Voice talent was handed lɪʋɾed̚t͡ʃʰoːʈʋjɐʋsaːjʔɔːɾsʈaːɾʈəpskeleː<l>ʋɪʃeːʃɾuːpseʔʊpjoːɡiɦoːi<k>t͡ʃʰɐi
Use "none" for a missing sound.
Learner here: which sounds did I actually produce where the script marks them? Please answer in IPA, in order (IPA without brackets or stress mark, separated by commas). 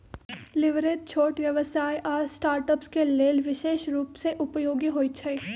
l, none